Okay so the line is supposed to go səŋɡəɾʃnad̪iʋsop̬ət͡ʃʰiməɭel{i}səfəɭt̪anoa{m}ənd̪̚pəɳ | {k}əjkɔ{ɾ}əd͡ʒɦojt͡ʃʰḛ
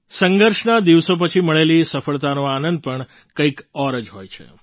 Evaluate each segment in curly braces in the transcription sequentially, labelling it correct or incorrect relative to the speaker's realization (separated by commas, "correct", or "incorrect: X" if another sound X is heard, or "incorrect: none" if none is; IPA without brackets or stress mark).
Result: correct, incorrect: n, correct, correct